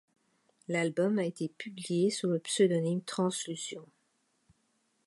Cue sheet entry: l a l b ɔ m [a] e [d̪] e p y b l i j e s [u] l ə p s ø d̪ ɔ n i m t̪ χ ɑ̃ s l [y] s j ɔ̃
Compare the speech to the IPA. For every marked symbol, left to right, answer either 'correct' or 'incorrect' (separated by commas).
correct, incorrect, correct, correct